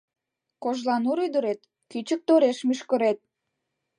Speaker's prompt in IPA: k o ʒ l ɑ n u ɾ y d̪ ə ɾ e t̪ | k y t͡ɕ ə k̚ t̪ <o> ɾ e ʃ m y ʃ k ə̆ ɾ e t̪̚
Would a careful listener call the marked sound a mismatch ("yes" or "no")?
no